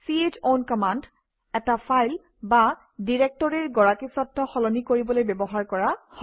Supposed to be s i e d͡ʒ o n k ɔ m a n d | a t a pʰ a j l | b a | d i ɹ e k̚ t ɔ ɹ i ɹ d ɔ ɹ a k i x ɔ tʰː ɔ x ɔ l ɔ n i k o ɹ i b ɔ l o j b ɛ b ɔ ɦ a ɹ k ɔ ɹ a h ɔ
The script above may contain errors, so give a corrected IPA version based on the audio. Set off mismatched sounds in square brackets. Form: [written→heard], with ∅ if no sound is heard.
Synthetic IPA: s i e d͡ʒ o n k ɔ m a n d | [a→ɛ] t a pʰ a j l | b a | d i ɹ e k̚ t ɔ ɹ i ɹ [d→ɡ] ɔ ɹ a k i [x→s] ɔ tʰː ɔ x ɔ l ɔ n i k o ɹ i b ɔ l o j b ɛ b ɔ ɦ a ɹ k ɔ ɹ a h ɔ